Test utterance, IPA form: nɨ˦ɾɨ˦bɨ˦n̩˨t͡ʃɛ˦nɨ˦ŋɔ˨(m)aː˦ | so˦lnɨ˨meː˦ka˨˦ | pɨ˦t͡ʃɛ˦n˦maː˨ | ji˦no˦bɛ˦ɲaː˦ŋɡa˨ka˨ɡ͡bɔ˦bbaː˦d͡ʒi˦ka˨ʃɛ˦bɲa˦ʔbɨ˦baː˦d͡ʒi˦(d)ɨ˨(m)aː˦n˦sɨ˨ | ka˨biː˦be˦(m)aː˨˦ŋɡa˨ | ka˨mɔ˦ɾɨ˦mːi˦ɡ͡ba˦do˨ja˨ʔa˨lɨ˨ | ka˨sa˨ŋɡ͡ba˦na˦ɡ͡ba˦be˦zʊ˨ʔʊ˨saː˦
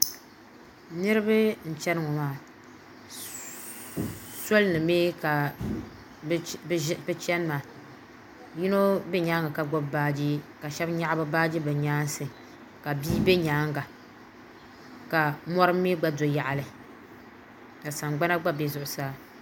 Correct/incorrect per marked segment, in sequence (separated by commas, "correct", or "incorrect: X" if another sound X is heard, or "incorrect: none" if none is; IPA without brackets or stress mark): correct, incorrect: b, incorrect: ɲ, incorrect: ɲ